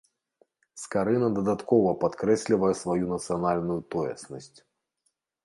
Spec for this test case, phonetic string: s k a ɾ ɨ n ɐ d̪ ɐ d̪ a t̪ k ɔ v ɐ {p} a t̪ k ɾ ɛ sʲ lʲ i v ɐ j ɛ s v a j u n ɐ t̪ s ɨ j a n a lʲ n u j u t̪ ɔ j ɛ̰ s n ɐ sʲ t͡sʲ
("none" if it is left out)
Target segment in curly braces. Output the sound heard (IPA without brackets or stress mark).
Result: p